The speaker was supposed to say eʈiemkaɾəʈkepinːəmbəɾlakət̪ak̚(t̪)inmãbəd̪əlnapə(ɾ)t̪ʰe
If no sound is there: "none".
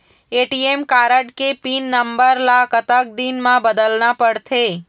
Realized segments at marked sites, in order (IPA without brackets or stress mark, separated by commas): d̪, ɽ